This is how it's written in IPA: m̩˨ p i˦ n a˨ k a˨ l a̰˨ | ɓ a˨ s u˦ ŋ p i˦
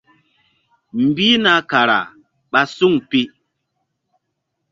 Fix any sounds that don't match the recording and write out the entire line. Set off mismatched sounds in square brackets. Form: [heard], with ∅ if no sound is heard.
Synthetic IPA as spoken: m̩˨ [b] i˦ n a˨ k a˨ [ɾ] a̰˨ | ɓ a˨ s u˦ ŋ p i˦

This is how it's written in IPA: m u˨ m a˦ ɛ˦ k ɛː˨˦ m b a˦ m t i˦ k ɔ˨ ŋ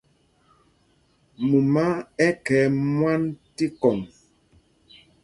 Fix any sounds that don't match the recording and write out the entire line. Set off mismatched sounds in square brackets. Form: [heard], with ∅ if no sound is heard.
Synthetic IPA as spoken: m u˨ m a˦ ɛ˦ k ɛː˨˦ m [w] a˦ [n] t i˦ k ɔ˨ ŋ

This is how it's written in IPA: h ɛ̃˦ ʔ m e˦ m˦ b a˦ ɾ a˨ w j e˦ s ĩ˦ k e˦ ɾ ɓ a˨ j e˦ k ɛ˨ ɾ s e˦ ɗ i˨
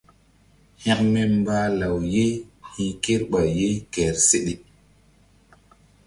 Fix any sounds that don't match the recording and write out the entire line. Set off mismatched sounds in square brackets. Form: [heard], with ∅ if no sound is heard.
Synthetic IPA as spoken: h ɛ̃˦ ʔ m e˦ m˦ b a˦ [l] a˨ w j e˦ [h] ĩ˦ k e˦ ɾ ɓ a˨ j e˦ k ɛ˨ ɾ s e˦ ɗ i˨

